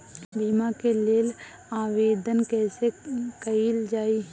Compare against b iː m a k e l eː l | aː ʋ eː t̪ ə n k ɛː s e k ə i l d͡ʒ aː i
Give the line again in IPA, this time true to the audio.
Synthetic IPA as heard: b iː m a k e l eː l | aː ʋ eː d̪ ə n k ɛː s e k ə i l d͡ʒ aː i